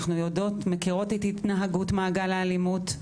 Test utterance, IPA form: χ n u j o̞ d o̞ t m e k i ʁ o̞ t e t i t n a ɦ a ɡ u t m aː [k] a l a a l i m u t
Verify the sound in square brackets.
incorrect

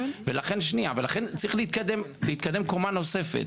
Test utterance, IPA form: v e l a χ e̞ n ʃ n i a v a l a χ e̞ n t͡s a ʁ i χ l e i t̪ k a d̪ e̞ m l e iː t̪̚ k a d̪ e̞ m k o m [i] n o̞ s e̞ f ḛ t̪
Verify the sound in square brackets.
incorrect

